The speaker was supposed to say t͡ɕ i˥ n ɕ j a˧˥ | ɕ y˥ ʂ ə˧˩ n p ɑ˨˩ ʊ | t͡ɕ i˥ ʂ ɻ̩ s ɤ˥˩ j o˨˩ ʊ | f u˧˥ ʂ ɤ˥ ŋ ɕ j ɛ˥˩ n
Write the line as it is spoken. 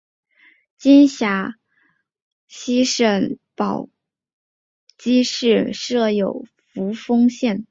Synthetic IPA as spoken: t͡ɕ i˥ n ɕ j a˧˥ | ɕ i˥ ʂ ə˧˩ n p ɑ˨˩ ʊ | t͡ɕ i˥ ʂ ɻ̩ ʂ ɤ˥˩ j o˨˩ ʊ | f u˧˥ f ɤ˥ ŋ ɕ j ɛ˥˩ n